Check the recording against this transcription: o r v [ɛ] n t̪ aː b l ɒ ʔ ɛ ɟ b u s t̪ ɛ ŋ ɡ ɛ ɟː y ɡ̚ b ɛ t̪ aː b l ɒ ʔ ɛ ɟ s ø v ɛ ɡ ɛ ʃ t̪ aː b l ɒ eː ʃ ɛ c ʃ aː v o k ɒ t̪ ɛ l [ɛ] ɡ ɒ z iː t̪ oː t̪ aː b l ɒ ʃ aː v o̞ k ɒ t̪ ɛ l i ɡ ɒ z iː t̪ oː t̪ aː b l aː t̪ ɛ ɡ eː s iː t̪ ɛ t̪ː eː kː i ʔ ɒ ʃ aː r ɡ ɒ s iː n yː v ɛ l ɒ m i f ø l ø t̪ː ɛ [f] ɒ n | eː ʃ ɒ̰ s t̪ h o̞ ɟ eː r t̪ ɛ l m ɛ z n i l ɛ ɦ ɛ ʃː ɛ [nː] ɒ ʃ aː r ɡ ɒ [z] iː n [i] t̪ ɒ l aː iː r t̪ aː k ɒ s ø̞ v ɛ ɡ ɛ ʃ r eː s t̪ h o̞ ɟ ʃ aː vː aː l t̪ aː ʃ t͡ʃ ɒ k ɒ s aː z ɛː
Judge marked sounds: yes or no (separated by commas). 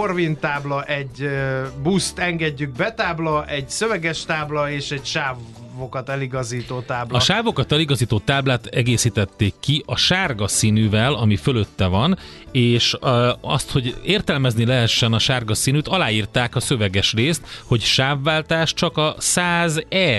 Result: no, no, no, no, no, no